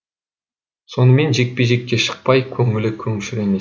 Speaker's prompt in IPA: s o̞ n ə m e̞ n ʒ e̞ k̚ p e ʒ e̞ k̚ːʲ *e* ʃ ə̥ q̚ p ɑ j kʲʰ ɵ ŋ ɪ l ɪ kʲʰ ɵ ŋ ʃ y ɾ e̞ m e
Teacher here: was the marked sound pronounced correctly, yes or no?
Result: yes